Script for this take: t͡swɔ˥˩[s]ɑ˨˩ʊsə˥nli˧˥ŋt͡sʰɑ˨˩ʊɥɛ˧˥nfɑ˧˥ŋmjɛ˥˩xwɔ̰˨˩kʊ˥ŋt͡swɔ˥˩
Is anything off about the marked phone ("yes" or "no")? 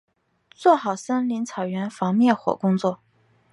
yes